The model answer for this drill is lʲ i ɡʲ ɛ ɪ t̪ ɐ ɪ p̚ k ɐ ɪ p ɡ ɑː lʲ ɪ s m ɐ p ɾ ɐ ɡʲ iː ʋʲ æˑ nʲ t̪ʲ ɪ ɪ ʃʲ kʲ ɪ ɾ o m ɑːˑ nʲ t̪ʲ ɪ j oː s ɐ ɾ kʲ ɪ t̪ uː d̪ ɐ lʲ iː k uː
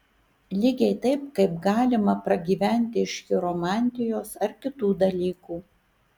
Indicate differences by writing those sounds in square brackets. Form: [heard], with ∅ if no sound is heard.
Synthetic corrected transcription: lʲ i ɡʲ ɛ ɪ t̪ ɐ ɪ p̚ k ɐ ɪ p ɡ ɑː lʲ ɪ [∅] m ɐ p ɾ ɐ ɡʲ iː ʋʲ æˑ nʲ t̪ʲ ɪ ɪ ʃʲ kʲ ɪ ɾ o m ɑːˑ nʲ t̪ʲ ɪ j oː s ɐ ɾ kʲ ɪ t̪ uː d̪ ɐ lʲ iː k uː